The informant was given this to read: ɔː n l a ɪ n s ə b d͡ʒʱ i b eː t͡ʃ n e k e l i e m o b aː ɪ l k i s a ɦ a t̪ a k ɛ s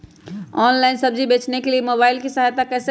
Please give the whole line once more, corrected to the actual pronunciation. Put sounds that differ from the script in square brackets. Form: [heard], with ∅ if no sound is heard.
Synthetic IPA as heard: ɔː n l a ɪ n s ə b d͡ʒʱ i b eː t͡ʃ n e k e l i e m o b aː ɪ l k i s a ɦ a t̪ a k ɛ s

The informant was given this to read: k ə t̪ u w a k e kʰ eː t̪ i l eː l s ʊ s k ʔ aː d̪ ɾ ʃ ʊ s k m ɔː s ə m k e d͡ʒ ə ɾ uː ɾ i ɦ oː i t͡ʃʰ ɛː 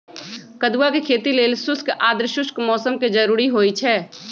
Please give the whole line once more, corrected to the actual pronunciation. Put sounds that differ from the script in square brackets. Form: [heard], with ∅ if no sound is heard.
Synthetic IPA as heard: k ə [d̪] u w a k e kʰ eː t̪ i l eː l s ʊ s k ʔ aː d̪ ɾ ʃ ʊ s k m ɔː s ə m k e d͡ʒ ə ɾ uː ɾ i ɦ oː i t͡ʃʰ ɛː

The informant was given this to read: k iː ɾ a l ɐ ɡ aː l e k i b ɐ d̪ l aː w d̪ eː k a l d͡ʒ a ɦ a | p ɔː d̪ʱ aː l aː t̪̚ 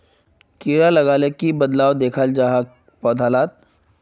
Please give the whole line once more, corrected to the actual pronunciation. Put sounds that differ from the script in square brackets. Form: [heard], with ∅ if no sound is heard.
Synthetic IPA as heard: k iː ɾ a l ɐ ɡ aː l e k i b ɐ d̪ l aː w d̪ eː [kʰ] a l d͡ʒ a ɦ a | p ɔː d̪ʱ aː l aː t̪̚

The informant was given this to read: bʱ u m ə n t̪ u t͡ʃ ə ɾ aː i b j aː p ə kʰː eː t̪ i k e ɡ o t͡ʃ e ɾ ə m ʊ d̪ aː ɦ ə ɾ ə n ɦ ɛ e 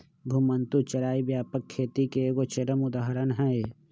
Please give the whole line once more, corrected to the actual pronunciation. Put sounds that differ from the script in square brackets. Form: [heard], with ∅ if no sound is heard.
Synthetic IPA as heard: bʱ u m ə n t̪ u t͡ʃ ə ɾ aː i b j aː p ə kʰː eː t̪ i k e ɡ o t͡ʃ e ɾ ə m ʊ d̪ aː ɦ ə ɾ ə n ɦ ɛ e

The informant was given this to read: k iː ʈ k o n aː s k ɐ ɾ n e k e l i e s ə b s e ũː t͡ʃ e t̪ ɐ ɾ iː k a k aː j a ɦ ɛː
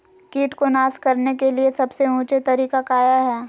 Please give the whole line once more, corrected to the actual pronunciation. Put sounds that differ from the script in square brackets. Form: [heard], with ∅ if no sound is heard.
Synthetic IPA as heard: k iː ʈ k o n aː s k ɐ ɾ n e k e l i e s [ɐ] b s e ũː t͡ʃ e t̪ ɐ ɾ iː k a k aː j a ɦ ɛː

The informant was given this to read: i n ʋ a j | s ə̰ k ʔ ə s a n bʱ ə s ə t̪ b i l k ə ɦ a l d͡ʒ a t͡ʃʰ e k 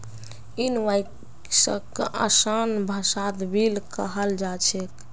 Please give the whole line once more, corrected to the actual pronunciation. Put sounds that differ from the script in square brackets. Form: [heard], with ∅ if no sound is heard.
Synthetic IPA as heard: i n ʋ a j | s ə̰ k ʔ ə s a n bʱ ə s [a] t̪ b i l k ə ɦ [ə] l d͡ʒ a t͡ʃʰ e k

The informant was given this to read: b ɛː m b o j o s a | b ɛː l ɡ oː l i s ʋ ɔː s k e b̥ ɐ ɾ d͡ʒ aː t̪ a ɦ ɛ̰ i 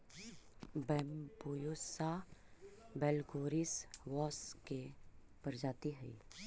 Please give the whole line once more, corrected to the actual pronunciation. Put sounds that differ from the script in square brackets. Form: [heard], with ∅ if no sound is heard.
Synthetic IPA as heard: b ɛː m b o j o s a | b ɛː l ɡ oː [ɾ] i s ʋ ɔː s k e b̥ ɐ ɾ d͡ʒ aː t̪ [i] ɦ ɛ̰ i

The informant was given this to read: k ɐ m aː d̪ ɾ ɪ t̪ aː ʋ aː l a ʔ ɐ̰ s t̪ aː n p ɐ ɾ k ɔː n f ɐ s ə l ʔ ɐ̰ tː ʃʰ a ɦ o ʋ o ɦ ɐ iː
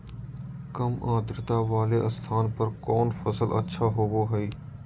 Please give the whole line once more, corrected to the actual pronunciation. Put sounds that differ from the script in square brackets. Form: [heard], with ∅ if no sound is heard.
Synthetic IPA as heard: k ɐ m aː d̪ ɾ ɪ t̪ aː ʋ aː l [e] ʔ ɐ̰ s [t̪ʰ] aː n p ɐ ɾ k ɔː n f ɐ s ə l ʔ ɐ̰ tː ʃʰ a ɦ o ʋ o ɦ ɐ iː

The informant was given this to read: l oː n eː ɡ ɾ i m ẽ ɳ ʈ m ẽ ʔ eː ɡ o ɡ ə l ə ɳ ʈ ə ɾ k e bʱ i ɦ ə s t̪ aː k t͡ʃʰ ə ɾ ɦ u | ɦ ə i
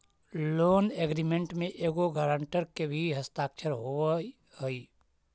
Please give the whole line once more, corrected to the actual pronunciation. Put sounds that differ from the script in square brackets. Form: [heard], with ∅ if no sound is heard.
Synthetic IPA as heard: l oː n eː ɡ ɾ i m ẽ ɳ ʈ m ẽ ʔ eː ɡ o ɡ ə [ɾ] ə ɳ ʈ ə ɾ k e bʱ i ɦ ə s t̪ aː k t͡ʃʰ ə ɾ ɦ [o] | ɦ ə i

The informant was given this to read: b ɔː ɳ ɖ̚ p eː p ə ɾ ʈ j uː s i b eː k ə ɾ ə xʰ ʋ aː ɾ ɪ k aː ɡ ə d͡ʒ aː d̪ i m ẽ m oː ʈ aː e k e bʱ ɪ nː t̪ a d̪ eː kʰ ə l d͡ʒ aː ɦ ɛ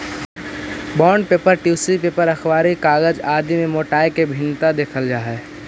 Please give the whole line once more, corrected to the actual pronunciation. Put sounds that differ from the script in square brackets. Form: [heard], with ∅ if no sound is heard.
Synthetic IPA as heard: b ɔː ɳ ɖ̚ p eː p ə ɾ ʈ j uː s i [p] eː [p] ə ɾ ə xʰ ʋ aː ɾ [i] k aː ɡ ə d͡ʒ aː d̪ i m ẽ m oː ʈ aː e k e bʱ ɪ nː t̪ a d̪ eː kʰ ə l d͡ʒ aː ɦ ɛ

